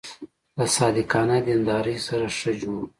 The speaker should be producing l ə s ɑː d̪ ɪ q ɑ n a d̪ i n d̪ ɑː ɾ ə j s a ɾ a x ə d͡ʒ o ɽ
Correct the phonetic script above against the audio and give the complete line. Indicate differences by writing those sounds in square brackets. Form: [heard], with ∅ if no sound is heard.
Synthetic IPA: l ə s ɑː d̪ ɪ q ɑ n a d̪ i n d̪ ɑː ɾ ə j s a ɾ a [ʂ] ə d͡ʒ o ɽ